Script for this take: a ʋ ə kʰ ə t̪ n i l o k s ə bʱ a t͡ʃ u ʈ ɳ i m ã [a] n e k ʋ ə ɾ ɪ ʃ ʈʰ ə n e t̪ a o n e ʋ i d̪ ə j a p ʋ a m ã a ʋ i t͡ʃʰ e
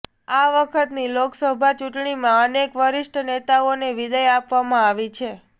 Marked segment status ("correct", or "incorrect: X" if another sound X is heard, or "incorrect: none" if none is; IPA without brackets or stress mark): incorrect: ə